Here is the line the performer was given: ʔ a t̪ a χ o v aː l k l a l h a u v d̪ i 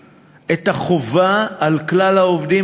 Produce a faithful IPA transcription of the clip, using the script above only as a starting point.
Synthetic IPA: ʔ e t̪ a χ o v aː l k l a l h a o v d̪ i